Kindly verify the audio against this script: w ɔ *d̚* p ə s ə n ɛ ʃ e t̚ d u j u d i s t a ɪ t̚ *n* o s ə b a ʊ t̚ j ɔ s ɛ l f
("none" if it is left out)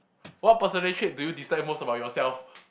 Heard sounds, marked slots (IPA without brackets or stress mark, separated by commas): t̚, m